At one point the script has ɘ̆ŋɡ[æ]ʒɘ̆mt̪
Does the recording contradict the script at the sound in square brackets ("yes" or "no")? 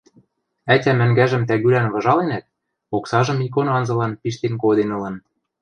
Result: no